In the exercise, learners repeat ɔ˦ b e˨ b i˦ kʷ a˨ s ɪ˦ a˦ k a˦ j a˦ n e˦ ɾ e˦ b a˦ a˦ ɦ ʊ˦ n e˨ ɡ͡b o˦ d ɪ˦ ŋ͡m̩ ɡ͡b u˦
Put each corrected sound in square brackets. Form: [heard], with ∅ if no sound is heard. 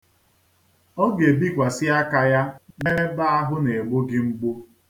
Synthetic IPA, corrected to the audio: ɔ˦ [ɡ] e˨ b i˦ kʷ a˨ s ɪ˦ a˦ k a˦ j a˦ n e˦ ɾ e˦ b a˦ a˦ ɦ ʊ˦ n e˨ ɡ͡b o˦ [ɡ] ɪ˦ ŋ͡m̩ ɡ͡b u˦